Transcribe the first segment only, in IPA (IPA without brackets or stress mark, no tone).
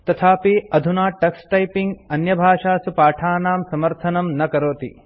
t̪